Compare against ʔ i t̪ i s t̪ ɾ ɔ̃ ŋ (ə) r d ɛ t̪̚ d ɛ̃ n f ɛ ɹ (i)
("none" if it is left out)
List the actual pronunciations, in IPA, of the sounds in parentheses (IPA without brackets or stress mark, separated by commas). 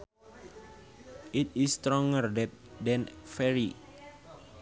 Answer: ə, i